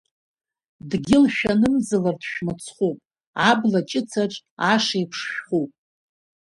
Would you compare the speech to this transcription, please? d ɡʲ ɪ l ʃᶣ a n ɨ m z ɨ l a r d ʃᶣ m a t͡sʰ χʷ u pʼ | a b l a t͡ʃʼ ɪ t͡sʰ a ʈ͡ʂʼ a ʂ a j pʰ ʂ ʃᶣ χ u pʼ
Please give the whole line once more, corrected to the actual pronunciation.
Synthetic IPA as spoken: d ɡʲ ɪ l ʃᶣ a n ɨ m z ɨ l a r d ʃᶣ m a t͡sʰ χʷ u pʼ | a b l a t͡ʃʼ ɪ t͡sʰ a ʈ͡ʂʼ a ʂ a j pʰ ʂ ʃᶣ χ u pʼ

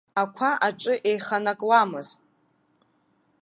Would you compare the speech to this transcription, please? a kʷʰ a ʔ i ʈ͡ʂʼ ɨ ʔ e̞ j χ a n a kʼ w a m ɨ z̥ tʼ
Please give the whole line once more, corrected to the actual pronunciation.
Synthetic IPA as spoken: a kʷʰ a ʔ a ʈ͡ʂʼ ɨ ʔ e̞ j χ a n a kʼ w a m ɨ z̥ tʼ

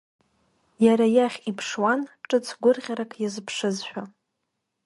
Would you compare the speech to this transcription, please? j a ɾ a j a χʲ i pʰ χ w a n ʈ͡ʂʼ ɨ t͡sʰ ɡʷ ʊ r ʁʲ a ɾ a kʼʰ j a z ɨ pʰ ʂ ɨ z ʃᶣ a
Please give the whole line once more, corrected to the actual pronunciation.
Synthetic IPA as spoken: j a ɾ a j a χʲ i pʰ ʂ w a n ʈ͡ʂʼ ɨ t͡sʰ ɡʷ ʊ r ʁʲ a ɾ a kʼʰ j a z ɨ pʰ ʂ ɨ z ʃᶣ a

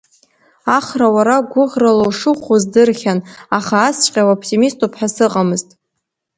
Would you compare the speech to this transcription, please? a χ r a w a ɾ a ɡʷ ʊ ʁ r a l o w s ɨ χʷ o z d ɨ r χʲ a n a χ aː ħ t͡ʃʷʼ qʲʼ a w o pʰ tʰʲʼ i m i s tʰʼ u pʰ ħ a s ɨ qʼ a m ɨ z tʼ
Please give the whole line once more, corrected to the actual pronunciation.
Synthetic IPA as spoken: a χ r a w a ɾ a ɡʷ ʊ ʁ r a l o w ʂ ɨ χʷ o z d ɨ r χʲ a n a χ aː s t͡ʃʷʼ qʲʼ a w o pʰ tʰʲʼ i m i s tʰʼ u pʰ ħ a s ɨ qʼ a m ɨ z tʼ

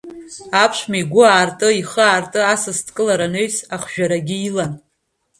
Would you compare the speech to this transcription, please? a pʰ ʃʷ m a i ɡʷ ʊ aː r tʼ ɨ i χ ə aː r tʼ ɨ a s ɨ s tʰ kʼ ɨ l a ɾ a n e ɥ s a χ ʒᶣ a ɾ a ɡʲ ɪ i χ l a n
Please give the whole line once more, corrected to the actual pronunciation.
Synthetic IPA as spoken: a pʰ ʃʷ m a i ɡʷ ʊ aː r tʼ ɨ i χ ə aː r tʼ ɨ a s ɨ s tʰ kʼ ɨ l a ɾ a n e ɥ s a χ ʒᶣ a ɾ a ɡʲ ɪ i l a n

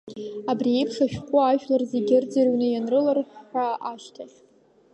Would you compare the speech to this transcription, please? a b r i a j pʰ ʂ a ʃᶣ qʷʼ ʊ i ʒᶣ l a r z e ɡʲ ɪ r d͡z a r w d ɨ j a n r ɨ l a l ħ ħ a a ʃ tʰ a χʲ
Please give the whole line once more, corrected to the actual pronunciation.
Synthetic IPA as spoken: a b r i e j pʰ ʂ a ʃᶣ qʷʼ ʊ a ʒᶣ l a r z e ɡʲ ɪ r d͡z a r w n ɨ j a n r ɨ l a r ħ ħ a a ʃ tʰ a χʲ

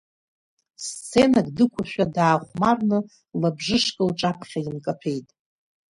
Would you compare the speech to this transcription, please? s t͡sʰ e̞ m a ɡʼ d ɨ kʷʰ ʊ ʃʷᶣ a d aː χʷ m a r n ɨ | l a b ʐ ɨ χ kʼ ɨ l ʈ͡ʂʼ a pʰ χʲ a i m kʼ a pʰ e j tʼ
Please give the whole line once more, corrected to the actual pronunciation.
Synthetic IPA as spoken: s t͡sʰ e̞ n a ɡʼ d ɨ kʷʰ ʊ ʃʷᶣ a d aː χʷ m a r n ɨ | l a b ʐ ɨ ʂ kʼ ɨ l ʈ͡ʂʼ a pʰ χʲ a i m kʼ a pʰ e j tʼ

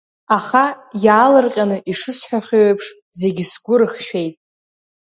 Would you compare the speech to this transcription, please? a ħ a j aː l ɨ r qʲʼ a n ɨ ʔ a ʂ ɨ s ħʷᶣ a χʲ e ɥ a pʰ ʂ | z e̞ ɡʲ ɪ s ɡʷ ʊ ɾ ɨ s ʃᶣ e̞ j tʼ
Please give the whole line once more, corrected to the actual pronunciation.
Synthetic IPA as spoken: a χ a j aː l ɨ r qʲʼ a n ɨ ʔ i ʂ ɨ s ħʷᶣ a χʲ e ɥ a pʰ ʂ | z e̞ ɡʲ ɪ s ɡʷ ʊ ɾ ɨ χ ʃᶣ e̞ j tʼ

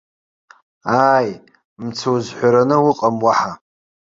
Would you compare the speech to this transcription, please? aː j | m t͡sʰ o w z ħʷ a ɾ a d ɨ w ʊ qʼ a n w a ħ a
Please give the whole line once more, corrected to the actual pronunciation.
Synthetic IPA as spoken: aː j | m t͡sʰ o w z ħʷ a ɾ a n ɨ w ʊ qʼ a m w a ħ a

